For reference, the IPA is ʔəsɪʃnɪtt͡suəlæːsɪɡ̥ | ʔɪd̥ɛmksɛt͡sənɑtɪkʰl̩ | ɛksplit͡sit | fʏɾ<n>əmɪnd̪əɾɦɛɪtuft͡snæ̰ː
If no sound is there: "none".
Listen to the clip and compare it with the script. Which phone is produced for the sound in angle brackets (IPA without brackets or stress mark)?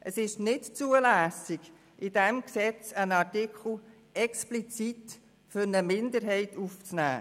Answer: n